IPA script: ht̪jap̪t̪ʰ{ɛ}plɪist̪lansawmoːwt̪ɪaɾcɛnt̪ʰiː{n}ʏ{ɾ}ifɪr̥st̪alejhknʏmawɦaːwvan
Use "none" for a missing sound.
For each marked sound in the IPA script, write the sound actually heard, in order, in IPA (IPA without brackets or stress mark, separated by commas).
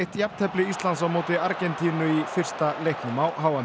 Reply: ɛ, n, none